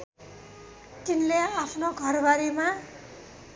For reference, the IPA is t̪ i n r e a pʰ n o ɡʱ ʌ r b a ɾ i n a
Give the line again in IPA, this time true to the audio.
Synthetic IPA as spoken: t̪ i n l e a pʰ n o ɡʱ ʌ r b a ɾ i m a